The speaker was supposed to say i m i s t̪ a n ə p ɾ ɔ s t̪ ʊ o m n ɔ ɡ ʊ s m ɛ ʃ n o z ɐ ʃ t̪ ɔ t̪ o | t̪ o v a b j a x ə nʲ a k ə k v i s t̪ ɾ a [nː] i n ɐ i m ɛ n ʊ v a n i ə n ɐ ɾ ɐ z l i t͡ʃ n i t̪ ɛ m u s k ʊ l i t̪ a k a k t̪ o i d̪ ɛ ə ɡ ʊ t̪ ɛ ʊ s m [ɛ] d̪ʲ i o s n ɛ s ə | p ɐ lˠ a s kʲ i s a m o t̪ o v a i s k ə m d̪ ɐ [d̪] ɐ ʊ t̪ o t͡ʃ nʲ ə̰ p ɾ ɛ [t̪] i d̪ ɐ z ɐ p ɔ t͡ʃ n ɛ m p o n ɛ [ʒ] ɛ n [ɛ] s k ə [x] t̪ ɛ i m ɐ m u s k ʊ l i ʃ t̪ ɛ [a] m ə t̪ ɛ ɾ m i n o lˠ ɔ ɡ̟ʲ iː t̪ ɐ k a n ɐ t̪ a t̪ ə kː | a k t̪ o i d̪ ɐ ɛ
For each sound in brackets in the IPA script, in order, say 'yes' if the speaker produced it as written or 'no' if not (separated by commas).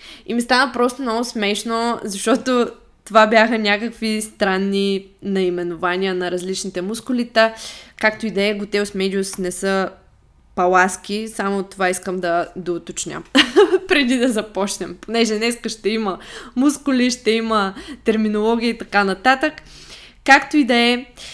yes, yes, yes, no, yes, yes, no, no